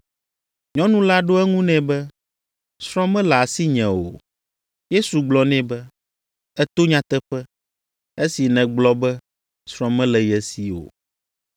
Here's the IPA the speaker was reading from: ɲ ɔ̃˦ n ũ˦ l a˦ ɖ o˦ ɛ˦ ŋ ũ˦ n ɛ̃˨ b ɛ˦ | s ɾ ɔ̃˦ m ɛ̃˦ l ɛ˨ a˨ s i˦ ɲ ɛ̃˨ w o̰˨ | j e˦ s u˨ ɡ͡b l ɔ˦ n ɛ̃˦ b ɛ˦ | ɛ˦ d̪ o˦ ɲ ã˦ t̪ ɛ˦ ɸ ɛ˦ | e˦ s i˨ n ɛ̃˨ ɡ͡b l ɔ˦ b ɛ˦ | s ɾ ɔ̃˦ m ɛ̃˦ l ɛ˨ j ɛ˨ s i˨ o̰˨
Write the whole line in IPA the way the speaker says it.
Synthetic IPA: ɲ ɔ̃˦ n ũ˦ l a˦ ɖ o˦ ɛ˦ ŋ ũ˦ n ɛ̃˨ b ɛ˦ | s ɾ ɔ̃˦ m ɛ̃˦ l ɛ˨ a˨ s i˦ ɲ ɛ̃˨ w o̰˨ | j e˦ s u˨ ɡ͡b l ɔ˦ n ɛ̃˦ b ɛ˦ | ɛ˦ t̪ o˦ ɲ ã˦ t̪ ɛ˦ ɸ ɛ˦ | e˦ s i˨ n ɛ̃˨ ɡ͡b l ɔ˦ b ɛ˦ | s ɾ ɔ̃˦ m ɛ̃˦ l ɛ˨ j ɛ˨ s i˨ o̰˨